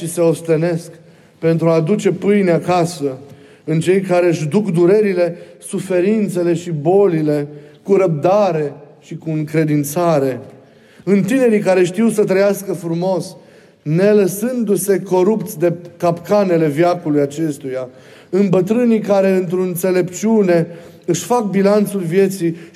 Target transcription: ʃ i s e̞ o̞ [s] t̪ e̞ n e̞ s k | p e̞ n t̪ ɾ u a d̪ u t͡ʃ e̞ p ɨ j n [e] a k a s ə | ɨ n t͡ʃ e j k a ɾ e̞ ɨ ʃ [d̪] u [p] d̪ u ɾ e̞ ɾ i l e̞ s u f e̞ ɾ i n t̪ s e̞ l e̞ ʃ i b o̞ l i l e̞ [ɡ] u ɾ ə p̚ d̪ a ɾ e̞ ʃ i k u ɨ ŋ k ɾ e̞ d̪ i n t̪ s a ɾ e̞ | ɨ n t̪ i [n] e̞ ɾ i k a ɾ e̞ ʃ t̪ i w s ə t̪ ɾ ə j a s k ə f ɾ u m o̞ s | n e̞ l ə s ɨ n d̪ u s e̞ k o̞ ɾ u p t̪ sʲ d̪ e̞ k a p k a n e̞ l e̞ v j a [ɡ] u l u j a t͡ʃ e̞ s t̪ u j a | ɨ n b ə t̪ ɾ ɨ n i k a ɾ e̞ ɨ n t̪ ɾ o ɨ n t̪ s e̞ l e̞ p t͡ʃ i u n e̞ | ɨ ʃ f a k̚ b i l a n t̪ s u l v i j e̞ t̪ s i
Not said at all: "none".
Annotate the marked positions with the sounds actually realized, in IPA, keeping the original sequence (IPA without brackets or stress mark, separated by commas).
s, e, d̪, k, k, n, k